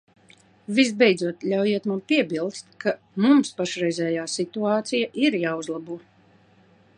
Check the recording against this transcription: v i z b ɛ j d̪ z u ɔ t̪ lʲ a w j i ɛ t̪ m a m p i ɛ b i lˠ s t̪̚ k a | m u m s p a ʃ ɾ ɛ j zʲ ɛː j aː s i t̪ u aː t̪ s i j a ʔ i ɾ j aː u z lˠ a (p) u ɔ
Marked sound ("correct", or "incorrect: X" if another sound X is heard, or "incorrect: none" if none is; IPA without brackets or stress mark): incorrect: b